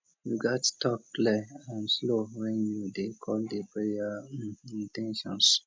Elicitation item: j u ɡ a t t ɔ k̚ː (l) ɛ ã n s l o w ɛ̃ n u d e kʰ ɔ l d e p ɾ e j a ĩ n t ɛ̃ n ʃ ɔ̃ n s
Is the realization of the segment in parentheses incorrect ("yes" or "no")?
no